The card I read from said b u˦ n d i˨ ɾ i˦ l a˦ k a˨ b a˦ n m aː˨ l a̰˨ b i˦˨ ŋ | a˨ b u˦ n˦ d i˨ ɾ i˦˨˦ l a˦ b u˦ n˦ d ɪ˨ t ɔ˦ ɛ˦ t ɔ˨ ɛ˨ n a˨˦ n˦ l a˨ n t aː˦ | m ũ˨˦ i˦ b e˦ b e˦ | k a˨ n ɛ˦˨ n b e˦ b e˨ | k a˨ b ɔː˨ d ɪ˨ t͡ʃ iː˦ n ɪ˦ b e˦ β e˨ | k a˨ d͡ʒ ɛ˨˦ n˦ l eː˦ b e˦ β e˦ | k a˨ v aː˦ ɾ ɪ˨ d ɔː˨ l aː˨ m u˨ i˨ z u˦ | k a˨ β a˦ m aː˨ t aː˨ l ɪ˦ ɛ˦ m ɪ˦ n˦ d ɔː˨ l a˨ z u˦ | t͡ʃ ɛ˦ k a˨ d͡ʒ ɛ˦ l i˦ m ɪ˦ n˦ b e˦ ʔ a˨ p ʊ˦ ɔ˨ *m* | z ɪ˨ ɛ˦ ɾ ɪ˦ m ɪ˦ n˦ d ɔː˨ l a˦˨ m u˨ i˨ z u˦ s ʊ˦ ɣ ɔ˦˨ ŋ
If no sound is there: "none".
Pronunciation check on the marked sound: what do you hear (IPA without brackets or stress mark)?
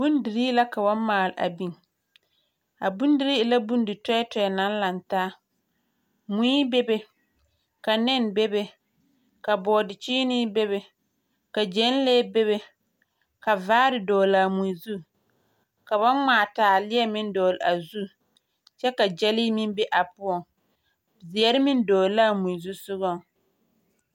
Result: ŋ